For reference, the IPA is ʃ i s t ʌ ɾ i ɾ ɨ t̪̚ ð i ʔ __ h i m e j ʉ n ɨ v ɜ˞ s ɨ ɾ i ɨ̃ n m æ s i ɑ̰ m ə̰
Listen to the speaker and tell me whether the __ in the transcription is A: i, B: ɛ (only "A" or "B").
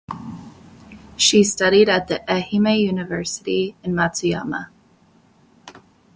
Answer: B